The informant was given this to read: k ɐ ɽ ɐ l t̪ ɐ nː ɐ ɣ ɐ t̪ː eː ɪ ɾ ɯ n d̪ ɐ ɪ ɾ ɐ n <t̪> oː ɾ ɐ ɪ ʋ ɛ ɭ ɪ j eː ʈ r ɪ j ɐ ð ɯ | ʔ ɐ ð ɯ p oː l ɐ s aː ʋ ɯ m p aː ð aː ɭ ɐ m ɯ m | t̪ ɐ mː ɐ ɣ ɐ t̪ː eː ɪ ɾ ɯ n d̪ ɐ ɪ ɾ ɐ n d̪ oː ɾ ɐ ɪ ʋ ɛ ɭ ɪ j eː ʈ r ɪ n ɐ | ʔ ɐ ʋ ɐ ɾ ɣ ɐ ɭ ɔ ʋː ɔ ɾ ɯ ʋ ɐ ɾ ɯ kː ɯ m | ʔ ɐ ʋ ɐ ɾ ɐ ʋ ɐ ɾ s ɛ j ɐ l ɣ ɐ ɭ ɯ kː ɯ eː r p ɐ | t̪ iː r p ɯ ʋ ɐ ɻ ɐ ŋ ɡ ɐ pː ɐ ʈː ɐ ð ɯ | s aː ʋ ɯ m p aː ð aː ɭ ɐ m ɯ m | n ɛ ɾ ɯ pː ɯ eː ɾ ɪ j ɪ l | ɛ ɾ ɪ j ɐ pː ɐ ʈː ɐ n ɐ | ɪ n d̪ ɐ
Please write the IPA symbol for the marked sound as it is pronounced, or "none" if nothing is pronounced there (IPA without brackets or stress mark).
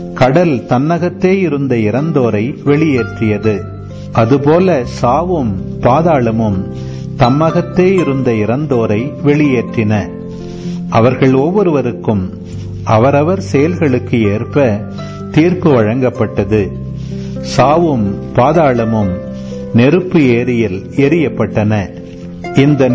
d̪